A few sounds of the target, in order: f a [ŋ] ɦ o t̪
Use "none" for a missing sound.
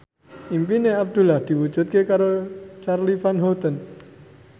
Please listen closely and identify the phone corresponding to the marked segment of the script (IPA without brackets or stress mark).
n